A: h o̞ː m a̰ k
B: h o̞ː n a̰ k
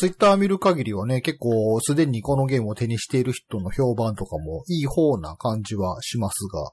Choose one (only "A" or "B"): B